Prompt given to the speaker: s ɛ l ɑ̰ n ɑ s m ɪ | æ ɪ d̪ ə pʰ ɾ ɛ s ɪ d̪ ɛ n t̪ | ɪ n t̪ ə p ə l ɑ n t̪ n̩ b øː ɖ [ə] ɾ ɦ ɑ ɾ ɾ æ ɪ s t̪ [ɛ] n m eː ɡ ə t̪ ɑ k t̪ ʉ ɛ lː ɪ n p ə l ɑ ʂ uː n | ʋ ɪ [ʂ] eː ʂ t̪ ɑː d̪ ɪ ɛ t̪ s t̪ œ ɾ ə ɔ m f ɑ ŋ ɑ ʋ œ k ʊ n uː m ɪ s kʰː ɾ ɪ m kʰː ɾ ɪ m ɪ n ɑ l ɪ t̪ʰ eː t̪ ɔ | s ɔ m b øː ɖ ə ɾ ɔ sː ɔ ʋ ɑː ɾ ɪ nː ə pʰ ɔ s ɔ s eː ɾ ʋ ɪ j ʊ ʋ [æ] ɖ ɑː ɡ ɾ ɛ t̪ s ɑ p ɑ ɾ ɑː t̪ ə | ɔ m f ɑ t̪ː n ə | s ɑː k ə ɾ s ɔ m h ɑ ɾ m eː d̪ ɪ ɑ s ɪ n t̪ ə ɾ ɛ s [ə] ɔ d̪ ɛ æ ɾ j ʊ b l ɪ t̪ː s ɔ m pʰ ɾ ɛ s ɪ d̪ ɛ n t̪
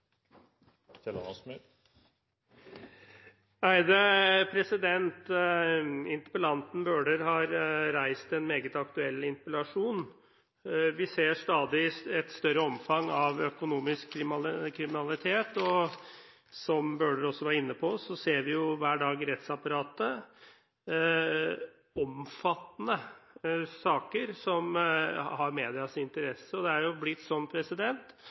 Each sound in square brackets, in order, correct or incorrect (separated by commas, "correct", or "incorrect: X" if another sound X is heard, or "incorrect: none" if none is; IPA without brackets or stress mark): correct, correct, incorrect: s, incorrect: æː, correct